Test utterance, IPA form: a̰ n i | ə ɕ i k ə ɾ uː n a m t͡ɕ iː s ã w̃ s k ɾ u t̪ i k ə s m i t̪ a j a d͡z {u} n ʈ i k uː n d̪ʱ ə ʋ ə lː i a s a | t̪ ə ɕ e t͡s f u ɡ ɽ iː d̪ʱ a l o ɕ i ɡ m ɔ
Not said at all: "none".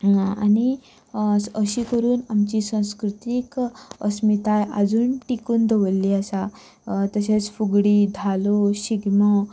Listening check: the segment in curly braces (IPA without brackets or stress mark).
uː